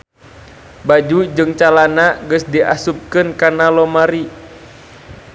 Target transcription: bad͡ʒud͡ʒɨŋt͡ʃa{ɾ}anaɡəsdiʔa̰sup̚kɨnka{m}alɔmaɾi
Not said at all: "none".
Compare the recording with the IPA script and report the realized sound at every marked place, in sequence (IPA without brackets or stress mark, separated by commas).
l, n